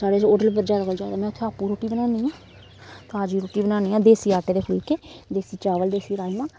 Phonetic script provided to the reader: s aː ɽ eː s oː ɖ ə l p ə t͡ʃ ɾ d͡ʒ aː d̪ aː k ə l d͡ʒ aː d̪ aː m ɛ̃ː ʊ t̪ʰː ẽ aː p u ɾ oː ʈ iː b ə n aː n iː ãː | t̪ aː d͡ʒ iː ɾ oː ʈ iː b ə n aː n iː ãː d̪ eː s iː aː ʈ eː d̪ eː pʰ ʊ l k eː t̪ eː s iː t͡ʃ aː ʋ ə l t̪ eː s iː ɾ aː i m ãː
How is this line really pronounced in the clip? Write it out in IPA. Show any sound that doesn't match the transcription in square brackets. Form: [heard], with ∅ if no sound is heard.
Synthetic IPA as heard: s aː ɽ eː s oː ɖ ə l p ə [∅] ɾ d͡ʒ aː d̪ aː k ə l d͡ʒ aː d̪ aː m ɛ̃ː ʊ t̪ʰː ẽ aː p u ɾ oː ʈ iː b ə n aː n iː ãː | t̪ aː d͡ʒ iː ɾ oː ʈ iː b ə n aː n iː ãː d̪ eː s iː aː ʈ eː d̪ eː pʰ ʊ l k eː [d̪] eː s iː t͡ʃ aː ʋ ə l [d̪] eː s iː ɾ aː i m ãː